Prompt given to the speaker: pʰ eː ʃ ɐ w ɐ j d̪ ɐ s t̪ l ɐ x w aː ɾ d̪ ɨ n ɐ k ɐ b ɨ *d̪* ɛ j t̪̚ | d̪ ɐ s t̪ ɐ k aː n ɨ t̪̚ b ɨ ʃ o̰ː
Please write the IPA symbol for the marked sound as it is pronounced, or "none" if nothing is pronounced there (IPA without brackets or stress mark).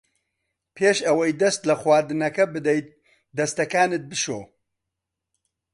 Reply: d̪